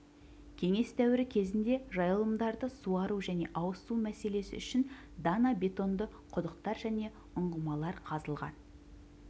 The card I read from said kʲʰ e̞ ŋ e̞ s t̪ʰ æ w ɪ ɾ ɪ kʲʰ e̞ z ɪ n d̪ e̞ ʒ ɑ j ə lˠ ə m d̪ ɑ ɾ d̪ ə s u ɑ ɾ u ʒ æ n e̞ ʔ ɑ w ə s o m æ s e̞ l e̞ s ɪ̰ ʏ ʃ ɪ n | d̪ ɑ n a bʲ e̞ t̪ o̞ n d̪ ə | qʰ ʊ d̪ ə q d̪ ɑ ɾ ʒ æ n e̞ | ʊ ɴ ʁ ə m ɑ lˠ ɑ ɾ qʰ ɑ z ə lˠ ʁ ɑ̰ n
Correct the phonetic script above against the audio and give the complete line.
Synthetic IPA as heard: kʲʰ e̞ ŋ e̞ s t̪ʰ æ w ɪ ɾ ɪ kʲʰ e̞ z ɪ n d̪ e̞ ʒ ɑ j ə lˠ ə m d̪ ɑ ɾ d̪ ə s u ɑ ɾ u ʒ æ n e̞ ʔ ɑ w ə s u m æ s e̞ l e̞ s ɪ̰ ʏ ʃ ɪ n | d̪ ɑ n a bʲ e̞ t̪ o̞ n d̪ ə | qʰ ʊ d̪ ə q t̪ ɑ ɾ ʒ æ n e̞ | ʊ ɴ ʁ ə m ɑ lˠ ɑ ɾ qʰ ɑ z ə lˠ ʁ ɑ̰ n